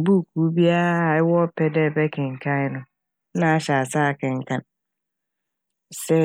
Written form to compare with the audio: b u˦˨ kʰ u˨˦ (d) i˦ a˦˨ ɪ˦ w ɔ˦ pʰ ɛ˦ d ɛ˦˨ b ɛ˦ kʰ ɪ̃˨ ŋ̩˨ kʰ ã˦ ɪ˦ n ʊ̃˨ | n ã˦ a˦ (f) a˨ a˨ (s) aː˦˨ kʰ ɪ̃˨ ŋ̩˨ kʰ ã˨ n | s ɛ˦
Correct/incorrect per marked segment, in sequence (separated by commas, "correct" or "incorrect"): incorrect, incorrect, correct